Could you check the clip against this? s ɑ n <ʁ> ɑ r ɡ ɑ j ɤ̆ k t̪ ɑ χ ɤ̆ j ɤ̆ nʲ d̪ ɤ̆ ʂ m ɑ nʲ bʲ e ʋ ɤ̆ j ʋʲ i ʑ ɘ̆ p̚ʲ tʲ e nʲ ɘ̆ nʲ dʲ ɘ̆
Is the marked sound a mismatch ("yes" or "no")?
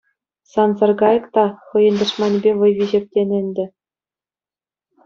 yes